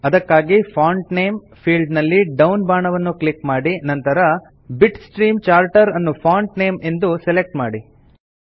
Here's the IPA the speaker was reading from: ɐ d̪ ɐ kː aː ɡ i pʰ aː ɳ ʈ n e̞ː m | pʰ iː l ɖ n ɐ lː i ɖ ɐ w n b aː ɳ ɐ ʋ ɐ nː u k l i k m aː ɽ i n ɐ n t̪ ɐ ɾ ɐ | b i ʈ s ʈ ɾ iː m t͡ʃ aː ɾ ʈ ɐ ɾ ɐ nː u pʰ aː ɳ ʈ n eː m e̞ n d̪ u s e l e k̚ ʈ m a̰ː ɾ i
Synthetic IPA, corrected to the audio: ɐ d̪ ɐ kː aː ɡ i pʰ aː ɳ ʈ n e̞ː m | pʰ iː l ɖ n ɐ lː i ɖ ɐ w n b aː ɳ ɐ ʋ ɐ nː u k l i k m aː ɽ i n ɐ n t̪ ɐ ɾ ɐ | b i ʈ s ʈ ɾ iː m t͡ʃ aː ɾ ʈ ɐ ɾ ɐ nː u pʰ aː ɳ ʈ n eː m e̞ n d̪ u s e l e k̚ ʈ m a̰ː ɽ i